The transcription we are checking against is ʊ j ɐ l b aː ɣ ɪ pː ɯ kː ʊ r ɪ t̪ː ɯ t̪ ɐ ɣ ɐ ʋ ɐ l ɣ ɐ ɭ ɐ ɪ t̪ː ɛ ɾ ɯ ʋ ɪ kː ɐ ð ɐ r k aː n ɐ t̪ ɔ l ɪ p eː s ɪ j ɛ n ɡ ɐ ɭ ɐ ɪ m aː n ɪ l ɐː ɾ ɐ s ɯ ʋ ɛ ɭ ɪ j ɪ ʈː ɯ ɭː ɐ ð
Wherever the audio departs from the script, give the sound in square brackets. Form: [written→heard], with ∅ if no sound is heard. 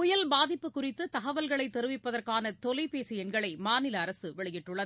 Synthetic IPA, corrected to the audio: ʊ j ɐ l b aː [ɣ→ð] ɪ pː ɯ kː ʊ r ɪ t̪ː ɯ t̪ ɐ ɣ ɐ ʋ ɐ l ɣ ɐ ɭ ɐ ɪ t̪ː ɛ ɾ ɯ ʋ ɪ [kː→pː] ɐ ð ɐ r k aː n ɐ t̪ ɔ l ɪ p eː s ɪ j ɛ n ɡ ɐ ɭ ɐ ɪ m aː n ɪ l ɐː ɾ ɐ s ɯ ʋ ɛ ɭ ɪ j ɪ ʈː ɯ ɭː ɐ ð